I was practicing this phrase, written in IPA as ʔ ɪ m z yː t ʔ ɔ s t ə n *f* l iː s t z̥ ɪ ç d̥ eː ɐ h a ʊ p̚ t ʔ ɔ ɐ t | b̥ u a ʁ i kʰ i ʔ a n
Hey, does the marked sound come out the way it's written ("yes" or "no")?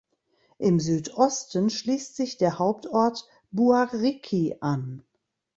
no